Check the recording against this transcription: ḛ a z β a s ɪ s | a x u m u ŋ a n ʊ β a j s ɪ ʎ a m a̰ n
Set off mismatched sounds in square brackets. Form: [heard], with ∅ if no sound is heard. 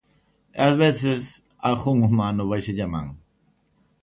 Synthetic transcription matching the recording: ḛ a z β [e] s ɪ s | a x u [ŋ] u [m] a n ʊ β a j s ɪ ʎ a m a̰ [ŋ]